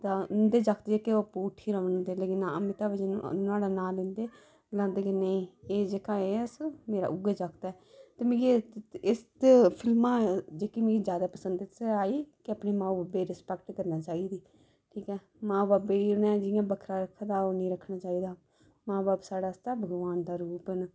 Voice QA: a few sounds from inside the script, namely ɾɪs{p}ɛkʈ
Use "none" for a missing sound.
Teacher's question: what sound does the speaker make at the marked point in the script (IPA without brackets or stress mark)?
p